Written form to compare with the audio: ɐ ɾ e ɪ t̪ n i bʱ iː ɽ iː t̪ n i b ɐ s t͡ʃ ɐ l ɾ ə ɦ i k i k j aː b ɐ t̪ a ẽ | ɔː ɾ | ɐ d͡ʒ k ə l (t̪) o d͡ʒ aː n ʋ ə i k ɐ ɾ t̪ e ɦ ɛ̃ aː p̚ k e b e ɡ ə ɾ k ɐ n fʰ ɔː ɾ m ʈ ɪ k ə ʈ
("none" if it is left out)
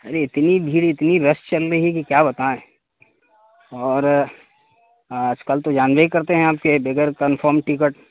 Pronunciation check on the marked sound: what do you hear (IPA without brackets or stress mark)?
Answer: t̪